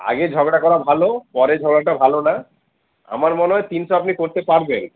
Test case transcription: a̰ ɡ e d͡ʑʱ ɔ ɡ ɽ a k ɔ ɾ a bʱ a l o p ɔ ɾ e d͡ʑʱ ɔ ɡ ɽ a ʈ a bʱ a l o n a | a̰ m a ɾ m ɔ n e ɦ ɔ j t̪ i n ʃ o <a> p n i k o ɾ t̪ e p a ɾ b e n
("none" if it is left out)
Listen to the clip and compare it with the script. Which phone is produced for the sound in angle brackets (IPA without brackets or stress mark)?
a